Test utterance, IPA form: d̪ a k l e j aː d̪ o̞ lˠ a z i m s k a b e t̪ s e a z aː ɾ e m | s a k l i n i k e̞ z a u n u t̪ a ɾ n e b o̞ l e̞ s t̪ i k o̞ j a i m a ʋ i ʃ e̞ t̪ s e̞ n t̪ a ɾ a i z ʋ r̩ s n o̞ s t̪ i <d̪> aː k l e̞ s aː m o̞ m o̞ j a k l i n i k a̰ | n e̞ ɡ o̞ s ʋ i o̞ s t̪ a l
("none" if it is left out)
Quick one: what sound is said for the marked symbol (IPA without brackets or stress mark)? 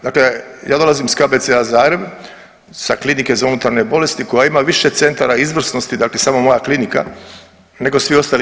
d̪